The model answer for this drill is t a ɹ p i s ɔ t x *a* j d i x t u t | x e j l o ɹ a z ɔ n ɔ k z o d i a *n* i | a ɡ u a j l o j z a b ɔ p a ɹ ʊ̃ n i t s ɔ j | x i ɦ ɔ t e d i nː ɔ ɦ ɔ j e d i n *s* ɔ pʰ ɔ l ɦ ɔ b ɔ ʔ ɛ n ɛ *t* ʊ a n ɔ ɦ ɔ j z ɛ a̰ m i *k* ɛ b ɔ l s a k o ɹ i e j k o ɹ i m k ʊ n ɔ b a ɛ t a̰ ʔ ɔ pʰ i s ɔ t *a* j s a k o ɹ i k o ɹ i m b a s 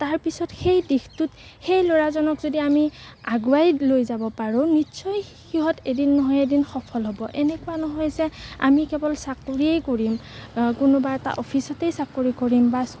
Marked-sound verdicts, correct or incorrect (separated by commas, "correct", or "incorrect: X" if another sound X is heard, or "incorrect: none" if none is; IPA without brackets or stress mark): incorrect: e, incorrect: m, incorrect: x, incorrect: k, correct, incorrect: e